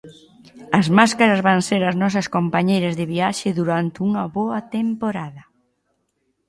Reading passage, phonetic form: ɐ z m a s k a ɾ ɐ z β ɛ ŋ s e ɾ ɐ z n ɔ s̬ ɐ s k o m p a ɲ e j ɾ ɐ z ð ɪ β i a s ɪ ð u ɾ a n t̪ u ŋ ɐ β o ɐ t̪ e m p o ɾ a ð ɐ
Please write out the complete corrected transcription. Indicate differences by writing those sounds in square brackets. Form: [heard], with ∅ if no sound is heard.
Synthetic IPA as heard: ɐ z m a s k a ɾ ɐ z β [a] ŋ s e ɾ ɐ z n ɔ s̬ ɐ s k o m p a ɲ e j ɾ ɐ z ð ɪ β i a [ʃ] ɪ ð u ɾ a n t̪ u ŋ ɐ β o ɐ t̪ e m p o ɾ a ð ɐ